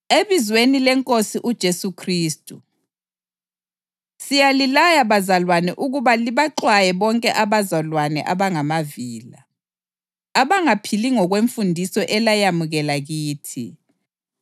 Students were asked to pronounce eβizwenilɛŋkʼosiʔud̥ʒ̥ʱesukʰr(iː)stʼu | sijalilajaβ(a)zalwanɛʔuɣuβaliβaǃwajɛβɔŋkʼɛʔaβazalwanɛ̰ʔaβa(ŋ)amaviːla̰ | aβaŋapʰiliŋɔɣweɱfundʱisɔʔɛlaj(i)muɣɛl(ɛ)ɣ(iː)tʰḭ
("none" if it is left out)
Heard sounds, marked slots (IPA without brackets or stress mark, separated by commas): iː, a, ŋ, a, a, iː